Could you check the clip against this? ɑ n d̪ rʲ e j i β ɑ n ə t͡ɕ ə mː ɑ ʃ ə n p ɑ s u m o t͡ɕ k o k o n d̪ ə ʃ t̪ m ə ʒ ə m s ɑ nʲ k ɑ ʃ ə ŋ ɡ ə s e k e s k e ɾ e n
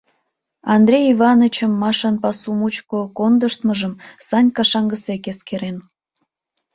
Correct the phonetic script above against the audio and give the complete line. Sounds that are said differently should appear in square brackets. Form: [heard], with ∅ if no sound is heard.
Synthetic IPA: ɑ n d̪ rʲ e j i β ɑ n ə t͡ɕ ə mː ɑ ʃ [ɑ] n p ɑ s u m [u] t͡ɕ k o k o n d̪ ə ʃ t̪ m ə ʒ ə m s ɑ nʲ k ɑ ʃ [ɑ] ŋ ɡ ə s e k e s k e ɾ e n